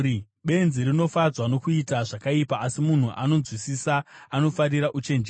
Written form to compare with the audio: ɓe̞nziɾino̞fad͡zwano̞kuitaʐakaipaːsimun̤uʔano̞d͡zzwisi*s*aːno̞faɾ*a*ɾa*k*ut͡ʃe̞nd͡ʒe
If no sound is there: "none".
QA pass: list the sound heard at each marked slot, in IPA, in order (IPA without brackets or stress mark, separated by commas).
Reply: s, i, ʔ